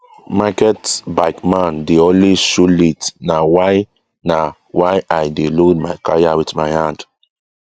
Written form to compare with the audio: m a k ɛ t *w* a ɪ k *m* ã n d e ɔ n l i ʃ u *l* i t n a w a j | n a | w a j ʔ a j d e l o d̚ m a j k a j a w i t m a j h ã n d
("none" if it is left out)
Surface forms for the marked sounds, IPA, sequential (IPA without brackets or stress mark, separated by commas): b, m, l